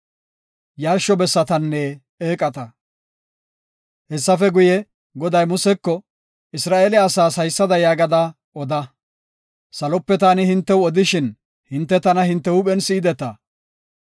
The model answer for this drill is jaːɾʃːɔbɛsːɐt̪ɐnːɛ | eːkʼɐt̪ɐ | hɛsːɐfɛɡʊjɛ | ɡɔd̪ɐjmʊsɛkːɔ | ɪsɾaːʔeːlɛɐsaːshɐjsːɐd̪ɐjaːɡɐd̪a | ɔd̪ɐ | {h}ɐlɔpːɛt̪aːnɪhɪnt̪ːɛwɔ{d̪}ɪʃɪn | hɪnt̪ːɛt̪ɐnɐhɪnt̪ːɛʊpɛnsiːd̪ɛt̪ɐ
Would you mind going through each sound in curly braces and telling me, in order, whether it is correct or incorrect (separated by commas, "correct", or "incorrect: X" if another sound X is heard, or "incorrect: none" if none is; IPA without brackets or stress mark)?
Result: incorrect: s, correct